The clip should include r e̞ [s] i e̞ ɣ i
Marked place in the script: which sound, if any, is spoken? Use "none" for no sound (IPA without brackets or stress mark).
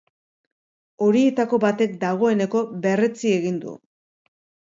t͡s